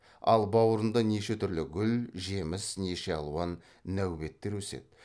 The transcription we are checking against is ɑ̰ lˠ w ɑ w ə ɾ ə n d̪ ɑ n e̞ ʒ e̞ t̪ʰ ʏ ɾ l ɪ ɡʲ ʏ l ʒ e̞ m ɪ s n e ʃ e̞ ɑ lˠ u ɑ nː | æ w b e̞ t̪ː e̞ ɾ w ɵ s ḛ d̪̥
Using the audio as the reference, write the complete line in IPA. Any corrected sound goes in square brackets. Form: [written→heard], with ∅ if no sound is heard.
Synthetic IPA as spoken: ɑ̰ lˠ [w→b] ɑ w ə ɾ ə n d̪ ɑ n e̞ [ʒ→ʃ] e̞ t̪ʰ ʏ ɾ l ɪ ɡʲ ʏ l ʒ e̞ m ɪ s n e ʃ e̞ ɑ lˠ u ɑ nː | æ w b e̞ t̪ː e̞ ɾ w ɵ s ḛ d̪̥

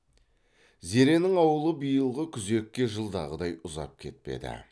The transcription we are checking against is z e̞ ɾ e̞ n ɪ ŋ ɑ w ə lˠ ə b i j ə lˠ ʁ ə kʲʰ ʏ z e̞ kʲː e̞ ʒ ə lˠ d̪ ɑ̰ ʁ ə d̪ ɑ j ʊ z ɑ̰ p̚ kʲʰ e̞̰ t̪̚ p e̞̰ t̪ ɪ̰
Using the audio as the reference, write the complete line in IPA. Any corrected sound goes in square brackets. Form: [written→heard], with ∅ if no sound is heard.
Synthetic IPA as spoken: z e̞ ɾ e̞ n ɪ ŋ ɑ w ə lˠ ə b i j ə lˠ ʁ ə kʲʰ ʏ z e̞ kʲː e̞ ʒ ə lˠ d̪ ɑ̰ ʁ ə d̪ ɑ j ʊ z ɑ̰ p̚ kʲʰ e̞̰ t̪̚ p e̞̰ [t̪→d̪] ɪ̰

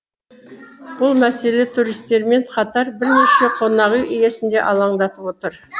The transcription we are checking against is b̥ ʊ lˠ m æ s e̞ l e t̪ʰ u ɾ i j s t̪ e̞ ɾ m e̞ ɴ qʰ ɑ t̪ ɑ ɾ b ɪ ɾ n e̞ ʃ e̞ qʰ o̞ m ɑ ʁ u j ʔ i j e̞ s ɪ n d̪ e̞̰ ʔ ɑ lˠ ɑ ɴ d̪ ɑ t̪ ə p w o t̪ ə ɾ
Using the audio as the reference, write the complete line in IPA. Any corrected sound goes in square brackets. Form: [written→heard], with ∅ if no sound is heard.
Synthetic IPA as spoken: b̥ ʊ lˠ m æ s e̞ l e t̪ʰ u ɾ i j s t̪ e̞ ɾ m e̞ ɴ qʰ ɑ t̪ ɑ ɾ b ɪ ɾ n e̞ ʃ e̞ qʰ o̞ [m→n] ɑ ʁ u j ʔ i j e̞ s ɪ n d̪ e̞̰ ʔ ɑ lˠ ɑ ɴ d̪ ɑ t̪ ə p w o t̪ ə ɾ

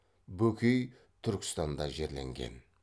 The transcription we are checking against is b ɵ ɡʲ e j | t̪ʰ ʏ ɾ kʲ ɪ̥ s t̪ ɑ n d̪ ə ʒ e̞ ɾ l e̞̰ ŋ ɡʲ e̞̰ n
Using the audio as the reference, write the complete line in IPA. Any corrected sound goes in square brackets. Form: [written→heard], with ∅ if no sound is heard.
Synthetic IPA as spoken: b ɵ [ɡʲ→kʲ] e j | t̪ʰ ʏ ɾ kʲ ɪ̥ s t̪ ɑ n d̪ [ə→ɑ] ʒ e̞ ɾ l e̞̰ ŋ ɡʲ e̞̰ n

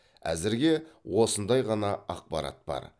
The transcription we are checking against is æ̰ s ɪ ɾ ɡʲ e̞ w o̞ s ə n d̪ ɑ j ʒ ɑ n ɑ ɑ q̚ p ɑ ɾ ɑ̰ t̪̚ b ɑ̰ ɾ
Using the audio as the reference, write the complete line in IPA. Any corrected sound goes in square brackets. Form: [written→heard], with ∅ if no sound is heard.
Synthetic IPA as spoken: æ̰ [s→z] ɪ ɾ ɡʲ e̞ w o̞ s ə n d̪ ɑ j [ʒ→ʁ] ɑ n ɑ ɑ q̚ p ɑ ɾ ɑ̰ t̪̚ b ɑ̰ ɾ

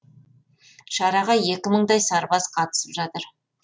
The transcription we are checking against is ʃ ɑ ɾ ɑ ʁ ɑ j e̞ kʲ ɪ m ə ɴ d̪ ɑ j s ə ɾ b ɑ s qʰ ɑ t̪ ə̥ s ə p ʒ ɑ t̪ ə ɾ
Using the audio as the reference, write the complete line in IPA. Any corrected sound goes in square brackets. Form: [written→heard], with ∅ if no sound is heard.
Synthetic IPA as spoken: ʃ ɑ ɾ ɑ ʁ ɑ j e̞ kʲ ɪ m ə ɴ d̪ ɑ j s [ə→ɑ] ɾ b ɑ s qʰ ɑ t̪ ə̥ s ə p ʒ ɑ t̪ ə ɾ

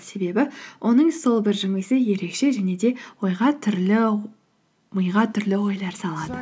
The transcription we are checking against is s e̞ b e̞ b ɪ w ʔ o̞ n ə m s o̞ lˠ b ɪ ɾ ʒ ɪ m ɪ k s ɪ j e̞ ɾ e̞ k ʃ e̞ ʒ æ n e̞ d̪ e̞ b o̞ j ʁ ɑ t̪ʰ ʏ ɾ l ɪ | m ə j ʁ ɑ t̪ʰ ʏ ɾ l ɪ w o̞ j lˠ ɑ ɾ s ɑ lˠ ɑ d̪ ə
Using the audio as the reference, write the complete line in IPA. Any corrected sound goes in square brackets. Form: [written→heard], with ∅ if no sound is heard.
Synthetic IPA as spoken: s e̞ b e̞ b ɪ w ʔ o̞ n ə [m→ɴ] s o̞ lˠ b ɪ ɾ ʒ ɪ m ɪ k s ɪ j e̞ ɾ e̞ k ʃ e̞ ʒ æ n e̞ d̪ e̞ [b→w] o̞ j ʁ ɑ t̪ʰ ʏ ɾ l ɪ | m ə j ʁ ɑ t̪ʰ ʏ ɾ l ɪ w o̞ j lˠ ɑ ɾ s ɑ lˠ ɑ d̪ ə

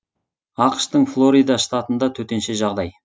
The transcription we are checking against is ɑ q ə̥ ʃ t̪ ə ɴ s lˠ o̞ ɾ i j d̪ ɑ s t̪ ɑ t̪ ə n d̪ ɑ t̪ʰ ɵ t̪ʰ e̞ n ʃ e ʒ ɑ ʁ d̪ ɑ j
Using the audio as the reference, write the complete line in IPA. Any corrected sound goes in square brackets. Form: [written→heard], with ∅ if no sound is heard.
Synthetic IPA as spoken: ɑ q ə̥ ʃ t̪ ə ɴ [s→f] lˠ o̞ ɾ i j d̪ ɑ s t̪ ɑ t̪ ə n d̪ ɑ t̪ʰ ɵ [t̪ʰ→t̪] e̞ n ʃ e ʒ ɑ ʁ d̪ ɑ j

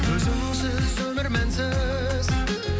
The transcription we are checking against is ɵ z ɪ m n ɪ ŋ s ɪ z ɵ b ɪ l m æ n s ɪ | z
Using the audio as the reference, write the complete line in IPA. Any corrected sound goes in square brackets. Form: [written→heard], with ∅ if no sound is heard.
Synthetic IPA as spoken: ɵ z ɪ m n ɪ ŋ s ɪ z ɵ [b→m] ɪ [l→ɾ] m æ n s ɪ | z

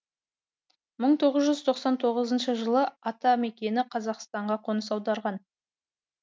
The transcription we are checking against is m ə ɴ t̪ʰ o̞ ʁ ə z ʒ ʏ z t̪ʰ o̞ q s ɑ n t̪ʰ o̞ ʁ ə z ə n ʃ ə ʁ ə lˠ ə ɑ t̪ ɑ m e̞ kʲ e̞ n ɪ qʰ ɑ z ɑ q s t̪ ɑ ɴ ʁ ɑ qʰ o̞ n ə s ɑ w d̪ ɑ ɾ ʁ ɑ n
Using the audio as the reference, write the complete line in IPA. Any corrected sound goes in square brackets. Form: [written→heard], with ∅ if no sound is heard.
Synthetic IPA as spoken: m ə ɴ t̪ʰ o̞ ʁ ə z ʒ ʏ z t̪ʰ o̞ q s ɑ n t̪ʰ o̞ ʁ ə z ə n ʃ ə [ʁ→ʒ] ə lˠ ə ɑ t̪ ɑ m e̞ kʲ e̞ n ɪ qʰ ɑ z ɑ q s t̪ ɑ ɴ ʁ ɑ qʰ o̞ n ə s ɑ w d̪ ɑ ɾ ʁ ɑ n

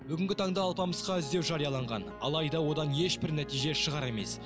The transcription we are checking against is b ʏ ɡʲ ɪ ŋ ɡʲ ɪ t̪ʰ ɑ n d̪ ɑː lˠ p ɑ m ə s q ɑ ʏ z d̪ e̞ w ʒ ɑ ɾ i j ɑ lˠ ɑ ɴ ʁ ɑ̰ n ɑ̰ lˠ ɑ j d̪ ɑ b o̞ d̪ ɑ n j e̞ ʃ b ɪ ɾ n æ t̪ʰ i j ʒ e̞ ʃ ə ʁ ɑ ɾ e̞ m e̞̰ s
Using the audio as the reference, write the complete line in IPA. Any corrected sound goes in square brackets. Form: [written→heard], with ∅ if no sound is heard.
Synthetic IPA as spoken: b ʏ ɡʲ ɪ ŋ ɡʲ ɪ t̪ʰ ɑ [n→ɴ] d̪ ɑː lˠ p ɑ m ə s q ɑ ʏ z d̪ e̞ w ʒ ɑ ɾ i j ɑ lˠ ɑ ɴ ʁ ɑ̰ n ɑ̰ lˠ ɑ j d̪ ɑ [b→w] o̞ d̪ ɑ n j e̞ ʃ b ɪ ɾ n æ [t̪ʰ→t̪] i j ʒ e̞ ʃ ə ʁ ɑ ɾ e̞ m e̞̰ s

